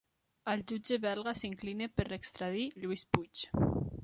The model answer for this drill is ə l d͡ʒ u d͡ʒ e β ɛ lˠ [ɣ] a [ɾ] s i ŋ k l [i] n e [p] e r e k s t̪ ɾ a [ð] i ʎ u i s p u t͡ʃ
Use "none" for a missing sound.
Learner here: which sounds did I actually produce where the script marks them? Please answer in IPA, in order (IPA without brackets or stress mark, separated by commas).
ɣ, none, i, p, ð